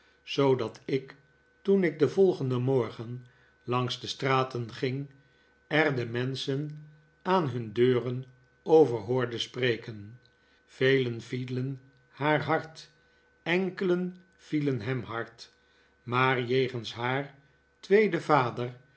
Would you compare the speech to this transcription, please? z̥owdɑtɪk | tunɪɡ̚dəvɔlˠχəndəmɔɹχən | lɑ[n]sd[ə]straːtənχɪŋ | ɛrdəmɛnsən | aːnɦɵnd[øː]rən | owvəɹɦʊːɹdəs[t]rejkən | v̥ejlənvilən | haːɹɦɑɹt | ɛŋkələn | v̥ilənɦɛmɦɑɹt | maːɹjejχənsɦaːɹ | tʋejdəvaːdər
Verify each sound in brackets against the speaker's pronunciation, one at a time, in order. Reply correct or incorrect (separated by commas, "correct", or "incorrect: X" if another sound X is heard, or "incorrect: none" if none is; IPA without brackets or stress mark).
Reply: incorrect: ŋ, correct, correct, incorrect: p